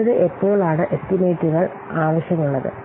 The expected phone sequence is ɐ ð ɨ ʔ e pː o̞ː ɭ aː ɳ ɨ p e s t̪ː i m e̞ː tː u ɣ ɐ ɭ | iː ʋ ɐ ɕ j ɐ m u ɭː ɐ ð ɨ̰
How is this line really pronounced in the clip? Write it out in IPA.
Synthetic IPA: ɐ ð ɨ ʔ e pː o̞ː ɭ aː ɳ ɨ ʔ e s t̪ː i m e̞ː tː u ɣ ɐ ɭ | aː ʋ ɐ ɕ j ɐ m u ɭː ɐ ð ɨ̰